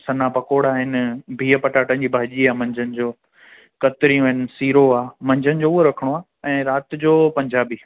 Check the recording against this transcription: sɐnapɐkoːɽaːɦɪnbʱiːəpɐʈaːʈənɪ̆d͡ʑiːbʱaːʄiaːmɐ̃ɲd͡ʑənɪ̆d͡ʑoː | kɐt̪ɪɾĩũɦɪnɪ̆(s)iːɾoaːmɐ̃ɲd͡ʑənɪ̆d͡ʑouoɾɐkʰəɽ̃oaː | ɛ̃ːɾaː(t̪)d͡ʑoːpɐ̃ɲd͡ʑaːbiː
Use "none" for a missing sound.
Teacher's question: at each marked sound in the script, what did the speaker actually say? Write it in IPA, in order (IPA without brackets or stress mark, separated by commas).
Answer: s, t̪